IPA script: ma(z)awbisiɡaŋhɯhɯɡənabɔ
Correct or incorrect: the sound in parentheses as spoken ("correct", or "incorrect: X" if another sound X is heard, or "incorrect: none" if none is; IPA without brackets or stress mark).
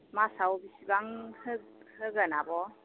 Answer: incorrect: s